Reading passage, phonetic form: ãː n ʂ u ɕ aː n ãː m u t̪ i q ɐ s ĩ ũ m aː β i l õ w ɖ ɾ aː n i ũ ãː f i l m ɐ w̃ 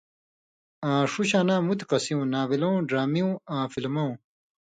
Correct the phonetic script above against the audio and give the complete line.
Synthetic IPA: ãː ʂ u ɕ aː n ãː m u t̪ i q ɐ s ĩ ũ n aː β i l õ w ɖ ɾ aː m i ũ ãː f i l m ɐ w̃